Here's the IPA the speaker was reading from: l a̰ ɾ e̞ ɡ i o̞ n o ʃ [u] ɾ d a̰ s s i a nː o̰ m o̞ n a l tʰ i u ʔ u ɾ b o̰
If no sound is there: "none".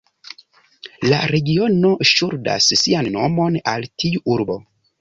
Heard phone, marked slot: u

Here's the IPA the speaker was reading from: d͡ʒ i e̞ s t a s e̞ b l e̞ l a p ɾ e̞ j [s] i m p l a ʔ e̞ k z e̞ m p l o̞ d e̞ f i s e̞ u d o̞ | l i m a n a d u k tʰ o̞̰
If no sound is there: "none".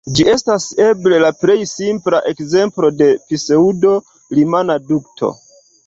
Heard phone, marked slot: s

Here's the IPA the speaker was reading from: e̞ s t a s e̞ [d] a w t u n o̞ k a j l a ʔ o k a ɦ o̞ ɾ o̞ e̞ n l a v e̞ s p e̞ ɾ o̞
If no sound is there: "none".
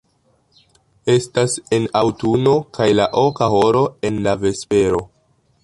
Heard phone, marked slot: n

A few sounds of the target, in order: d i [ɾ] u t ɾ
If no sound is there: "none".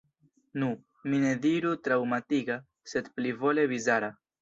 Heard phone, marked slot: ɾ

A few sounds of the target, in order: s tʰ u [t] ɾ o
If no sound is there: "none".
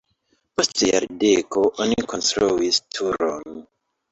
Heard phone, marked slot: none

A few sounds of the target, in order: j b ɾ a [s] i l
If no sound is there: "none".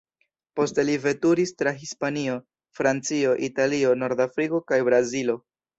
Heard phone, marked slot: z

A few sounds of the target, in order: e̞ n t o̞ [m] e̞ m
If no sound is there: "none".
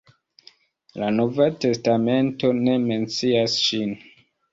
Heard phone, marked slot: n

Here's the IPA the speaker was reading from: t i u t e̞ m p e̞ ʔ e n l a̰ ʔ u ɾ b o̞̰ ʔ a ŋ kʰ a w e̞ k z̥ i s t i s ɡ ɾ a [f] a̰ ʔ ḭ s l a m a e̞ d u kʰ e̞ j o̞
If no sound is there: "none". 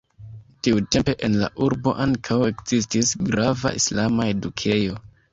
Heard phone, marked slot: v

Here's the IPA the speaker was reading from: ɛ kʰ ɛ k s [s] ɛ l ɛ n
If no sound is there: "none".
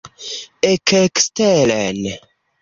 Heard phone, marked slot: t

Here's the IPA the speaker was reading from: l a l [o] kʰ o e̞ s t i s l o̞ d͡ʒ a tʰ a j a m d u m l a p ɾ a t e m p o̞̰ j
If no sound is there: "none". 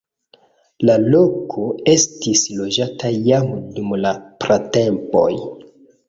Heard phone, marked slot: o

